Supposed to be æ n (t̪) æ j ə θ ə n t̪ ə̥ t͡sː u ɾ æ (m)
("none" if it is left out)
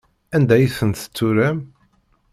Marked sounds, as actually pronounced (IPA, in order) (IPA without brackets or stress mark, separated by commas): d̪, m